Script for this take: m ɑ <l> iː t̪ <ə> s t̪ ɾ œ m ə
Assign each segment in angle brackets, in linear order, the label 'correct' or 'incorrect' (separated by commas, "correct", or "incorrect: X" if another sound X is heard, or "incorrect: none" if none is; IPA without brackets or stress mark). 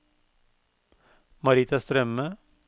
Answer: incorrect: ɾ, incorrect: ɑ